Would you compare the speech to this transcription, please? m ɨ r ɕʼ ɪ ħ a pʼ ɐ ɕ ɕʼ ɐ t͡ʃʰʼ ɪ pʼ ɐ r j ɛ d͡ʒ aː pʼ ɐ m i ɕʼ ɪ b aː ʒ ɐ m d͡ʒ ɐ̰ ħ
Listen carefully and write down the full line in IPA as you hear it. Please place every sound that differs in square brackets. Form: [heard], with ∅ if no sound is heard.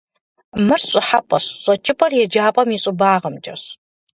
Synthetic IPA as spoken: m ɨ r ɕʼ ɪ ħ a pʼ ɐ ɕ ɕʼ ɐ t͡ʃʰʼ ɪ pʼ ɐ r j ɛ d͡ʒ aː pʼ ɐ m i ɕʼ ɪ b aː [ʁ] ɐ m d͡ʒ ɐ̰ [ɕ]